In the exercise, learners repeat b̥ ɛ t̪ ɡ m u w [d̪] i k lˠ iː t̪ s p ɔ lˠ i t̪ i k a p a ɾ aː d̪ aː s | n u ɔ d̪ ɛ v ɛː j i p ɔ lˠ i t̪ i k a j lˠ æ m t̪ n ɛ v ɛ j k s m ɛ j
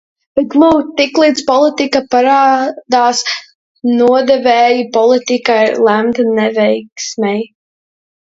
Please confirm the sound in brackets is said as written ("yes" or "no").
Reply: no